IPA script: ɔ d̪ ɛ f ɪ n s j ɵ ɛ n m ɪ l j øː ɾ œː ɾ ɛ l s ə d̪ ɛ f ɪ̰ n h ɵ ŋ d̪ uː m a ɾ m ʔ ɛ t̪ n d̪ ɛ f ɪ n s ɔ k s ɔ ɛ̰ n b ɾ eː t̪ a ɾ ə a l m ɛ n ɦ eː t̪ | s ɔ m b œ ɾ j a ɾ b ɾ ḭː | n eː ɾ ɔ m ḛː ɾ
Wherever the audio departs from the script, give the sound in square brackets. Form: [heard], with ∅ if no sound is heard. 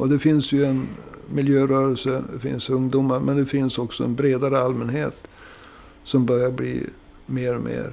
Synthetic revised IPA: ɔ d̪ ɛ f ɪ n s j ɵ ɛ n m ɪ l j øː ɾ œː ɾ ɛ l s ə d̪ ɛ f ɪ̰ n [s] ɵ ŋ d̪ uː m a ɾ m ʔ ɛ [∅] n d̪ ɛ f ɪ n s ɔ k s ɔ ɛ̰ n b ɾ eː [d̪] a ɾ ə a l m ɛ n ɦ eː t̪ | s ɔ m b œ ɾ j a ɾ b [l] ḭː | [m] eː ɾ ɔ m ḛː ɾ